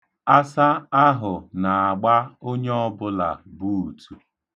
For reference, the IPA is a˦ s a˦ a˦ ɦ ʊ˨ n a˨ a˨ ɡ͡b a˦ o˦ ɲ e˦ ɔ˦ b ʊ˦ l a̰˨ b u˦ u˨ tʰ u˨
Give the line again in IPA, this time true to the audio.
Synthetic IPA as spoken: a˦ s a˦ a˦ ɦ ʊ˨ n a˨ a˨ ɡ͡b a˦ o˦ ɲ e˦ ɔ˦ b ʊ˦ l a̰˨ b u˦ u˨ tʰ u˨